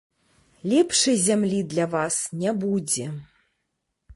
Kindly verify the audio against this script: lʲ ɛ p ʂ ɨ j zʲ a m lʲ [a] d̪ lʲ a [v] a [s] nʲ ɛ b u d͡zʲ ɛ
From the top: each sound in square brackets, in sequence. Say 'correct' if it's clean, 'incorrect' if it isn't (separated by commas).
incorrect, correct, correct